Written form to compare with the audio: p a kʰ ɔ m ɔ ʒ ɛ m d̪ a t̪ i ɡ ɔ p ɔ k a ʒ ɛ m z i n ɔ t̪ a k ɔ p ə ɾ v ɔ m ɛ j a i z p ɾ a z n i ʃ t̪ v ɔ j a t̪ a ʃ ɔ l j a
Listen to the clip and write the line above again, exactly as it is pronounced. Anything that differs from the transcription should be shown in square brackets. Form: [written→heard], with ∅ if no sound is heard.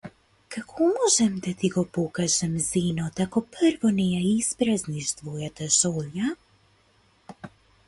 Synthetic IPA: [p→k] a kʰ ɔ m ɔ ʒ ɛ m d̪ a t̪ i ɡ ɔ p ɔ k a ʒ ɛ m z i n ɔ t̪ a k ɔ p ə ɾ v ɔ [m→n] ɛ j a i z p ɾ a z n i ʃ t̪ v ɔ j a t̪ a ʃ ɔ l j a